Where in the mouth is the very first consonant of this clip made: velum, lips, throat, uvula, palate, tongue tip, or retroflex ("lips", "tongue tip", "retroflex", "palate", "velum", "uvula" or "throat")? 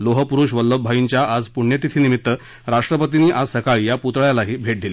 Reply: tongue tip